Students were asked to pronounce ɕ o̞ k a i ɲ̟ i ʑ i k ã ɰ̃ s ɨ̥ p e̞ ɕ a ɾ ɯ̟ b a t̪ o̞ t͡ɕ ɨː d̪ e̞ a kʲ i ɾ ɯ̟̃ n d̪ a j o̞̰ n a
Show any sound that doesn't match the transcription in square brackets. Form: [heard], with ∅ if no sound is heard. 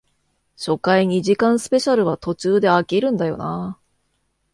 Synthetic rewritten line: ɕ o̞ k a i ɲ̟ i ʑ i k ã ɰ̃ s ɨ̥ p e̞ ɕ a ɾ ɯ̟ [β] a t̪ o̞ t͡ɕ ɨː d̪ e̞ a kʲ i ɾ ɯ̟̃ n d̪ a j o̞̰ n a

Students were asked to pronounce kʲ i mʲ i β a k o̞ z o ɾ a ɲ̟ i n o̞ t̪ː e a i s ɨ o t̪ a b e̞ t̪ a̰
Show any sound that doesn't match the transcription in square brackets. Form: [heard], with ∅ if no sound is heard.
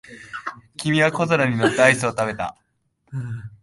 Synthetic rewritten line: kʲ i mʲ i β a k o̞ z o ɾ a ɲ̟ i n o̞ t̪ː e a i s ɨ o t̪ a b e̞ t̪ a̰

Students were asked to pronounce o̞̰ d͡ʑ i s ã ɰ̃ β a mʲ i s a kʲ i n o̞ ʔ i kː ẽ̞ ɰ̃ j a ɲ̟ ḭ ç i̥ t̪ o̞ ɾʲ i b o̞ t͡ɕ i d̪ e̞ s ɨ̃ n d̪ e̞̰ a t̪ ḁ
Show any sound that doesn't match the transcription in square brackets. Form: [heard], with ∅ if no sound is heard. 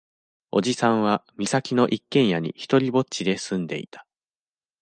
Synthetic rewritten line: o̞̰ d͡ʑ i s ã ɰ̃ β a mʲ i s a kʲ i n o̞ ʔ i kː ẽ̞ ɰ̃ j a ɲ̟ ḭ ç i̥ t̪ o̞ ɾʲ i b o̞ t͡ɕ i d̪ e̞ s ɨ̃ n d̪ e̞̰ [i] t̪ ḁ

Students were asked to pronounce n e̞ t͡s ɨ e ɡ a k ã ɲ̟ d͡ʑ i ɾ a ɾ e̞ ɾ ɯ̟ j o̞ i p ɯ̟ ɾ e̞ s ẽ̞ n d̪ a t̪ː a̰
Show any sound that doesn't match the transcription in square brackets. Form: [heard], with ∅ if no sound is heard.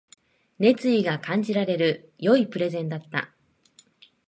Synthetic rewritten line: n e̞ t͡s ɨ [i] ɡ a k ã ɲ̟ d͡ʑ i ɾ a ɾ e̞ ɾ ɯ̟ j o̞ i p ɯ̟ ɾ e̞ [z] ẽ̞ n d̪ a t̪ː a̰

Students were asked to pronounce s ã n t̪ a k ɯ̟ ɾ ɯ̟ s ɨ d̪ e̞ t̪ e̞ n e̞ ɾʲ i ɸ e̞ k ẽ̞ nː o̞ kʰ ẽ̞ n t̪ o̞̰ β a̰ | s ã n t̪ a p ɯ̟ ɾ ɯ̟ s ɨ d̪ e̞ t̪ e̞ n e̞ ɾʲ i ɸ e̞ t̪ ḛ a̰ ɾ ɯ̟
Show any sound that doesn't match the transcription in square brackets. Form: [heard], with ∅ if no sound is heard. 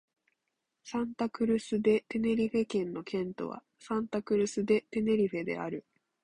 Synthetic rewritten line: s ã n t̪ a k ɯ̟ ɾ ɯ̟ s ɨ d̪ e̞ t̪ e̞ n e̞ ɾʲ i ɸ e̞ k ẽ̞ nː o̞ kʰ ẽ̞ n t̪ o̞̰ β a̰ | s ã n t̪ a [k] ɯ̟ ɾ ɯ̟ s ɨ d̪ e̞ t̪ e̞ n e̞ ɾʲ i ɸ e̞ [d̪] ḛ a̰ ɾ ɯ̟

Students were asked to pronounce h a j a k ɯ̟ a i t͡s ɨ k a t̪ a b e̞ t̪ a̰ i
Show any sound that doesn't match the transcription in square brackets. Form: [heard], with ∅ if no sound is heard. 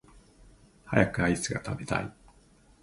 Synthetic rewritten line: h a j a k ɯ̟ a i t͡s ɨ [ɡ] a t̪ a b e̞ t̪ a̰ i

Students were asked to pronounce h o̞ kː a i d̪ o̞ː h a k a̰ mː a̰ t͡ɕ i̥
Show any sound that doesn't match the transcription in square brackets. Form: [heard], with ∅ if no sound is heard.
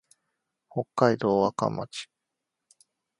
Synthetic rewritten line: h o̞ kː a i d̪ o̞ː [∅] a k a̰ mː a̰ t͡ɕ i̥

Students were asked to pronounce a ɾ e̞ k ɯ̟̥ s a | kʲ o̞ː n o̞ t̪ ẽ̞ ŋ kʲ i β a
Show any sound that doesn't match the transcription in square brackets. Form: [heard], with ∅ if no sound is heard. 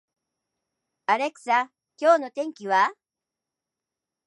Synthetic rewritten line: a ɾ e̞ k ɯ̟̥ s a | kʲ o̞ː n o̞ t̪ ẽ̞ ŋ kʲ i β a

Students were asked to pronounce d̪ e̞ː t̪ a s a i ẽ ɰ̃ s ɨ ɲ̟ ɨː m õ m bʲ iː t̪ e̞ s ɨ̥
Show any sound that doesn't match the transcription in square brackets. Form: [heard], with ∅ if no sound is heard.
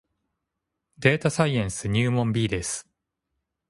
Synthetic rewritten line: d̪ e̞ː t̪ a s a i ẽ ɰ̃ s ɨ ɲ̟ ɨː m õ m bʲ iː [d̪] e̞ s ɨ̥

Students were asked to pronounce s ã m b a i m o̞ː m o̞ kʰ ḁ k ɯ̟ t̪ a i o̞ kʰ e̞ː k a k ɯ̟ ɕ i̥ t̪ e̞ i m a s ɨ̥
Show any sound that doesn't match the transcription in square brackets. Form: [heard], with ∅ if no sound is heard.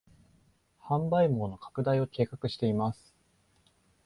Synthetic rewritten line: [h] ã m b a i m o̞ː [n] o̞ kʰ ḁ k ɯ̟ [d̪] a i o̞ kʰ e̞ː k a k ɯ̟ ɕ i̥ t̪ e̞ i m a s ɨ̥

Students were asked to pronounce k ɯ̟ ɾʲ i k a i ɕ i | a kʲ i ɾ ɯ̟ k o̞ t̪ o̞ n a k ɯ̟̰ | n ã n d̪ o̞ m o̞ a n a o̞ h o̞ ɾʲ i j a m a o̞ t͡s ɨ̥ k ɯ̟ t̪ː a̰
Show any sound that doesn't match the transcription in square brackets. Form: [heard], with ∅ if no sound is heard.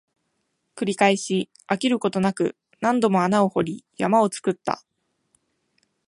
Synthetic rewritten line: k ɯ̟ ɾʲ i k a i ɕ i | a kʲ i ɾ ɯ̟ k o̞ t̪ o̞ n a k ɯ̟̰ | n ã n d̪ o̞ m o̞ a n a o̞ h o̞ ɾʲ i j a m a o̞ t͡s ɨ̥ k ɯ̟ t̪ː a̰

